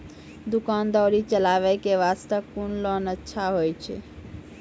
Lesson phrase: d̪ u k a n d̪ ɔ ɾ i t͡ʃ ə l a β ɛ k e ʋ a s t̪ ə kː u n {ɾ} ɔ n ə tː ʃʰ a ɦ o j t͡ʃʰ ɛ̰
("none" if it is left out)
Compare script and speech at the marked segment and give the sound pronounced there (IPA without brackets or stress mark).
l